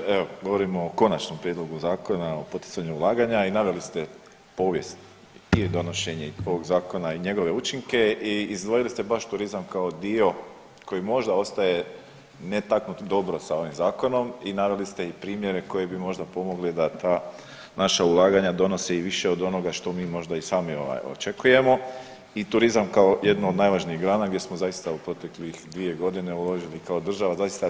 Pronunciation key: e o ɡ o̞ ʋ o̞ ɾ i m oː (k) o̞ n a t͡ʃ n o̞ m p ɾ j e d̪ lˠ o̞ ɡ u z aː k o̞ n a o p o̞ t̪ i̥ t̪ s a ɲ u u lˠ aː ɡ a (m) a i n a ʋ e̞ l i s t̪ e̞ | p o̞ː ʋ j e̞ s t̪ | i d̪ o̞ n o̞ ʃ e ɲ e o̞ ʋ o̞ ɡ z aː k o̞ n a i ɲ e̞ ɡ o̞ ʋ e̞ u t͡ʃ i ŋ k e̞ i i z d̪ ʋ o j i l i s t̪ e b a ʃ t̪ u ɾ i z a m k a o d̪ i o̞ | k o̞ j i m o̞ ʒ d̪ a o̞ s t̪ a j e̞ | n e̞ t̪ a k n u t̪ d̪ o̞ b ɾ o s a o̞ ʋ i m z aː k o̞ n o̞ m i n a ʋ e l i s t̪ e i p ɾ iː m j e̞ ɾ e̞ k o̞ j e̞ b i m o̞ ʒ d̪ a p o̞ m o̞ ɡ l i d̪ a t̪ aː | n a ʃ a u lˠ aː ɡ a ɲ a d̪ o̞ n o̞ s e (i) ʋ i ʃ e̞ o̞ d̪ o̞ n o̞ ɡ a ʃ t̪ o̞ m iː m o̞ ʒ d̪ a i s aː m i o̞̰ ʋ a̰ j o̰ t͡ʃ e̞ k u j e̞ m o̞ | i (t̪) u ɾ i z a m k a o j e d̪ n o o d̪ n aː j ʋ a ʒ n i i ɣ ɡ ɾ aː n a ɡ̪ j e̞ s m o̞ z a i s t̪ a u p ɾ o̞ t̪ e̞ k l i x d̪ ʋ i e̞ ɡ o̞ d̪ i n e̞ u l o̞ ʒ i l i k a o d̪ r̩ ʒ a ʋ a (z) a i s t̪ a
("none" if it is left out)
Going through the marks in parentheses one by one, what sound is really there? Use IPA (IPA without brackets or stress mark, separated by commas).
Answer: k, ɲ, i, t̪, z